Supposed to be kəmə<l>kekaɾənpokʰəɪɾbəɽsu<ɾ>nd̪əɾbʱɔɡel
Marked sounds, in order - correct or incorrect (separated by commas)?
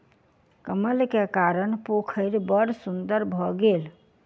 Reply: correct, incorrect